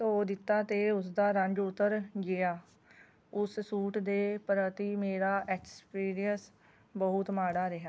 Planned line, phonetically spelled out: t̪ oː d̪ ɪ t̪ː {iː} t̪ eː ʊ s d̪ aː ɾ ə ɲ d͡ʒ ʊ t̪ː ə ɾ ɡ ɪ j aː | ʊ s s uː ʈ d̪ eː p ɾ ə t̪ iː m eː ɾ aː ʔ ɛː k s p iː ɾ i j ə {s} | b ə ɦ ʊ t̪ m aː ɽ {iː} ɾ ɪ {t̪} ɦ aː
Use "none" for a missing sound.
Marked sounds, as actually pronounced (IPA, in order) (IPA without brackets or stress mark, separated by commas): aː, s, aː, none